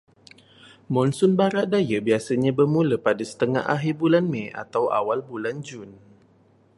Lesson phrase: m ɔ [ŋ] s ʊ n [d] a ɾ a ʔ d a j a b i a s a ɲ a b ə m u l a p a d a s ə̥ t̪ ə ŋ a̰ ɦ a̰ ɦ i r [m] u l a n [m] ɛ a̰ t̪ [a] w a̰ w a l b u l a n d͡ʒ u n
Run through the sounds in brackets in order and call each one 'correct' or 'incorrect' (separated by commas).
incorrect, incorrect, incorrect, correct, correct